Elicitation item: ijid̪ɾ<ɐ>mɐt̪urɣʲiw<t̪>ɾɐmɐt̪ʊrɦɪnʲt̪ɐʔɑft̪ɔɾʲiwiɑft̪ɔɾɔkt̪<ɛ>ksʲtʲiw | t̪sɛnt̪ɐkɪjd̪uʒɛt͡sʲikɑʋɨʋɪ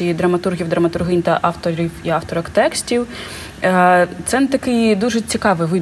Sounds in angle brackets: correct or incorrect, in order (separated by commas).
correct, incorrect, correct